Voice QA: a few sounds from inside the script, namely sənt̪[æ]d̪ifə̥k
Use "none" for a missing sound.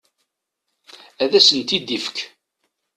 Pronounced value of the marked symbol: i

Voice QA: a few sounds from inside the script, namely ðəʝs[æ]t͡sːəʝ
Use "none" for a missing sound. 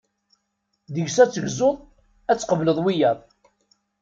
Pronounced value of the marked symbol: æ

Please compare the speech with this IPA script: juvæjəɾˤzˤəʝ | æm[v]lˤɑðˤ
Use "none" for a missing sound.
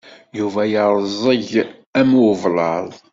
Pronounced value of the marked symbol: v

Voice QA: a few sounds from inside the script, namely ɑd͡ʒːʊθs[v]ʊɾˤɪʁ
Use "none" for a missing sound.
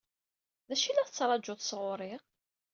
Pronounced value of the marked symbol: ʁ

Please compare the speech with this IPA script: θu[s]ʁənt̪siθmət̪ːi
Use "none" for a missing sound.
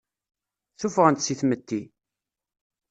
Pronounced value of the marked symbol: f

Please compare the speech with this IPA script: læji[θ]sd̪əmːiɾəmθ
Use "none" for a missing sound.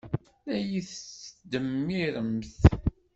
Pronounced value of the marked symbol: θ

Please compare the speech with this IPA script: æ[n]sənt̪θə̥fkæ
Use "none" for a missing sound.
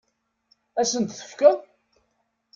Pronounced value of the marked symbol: none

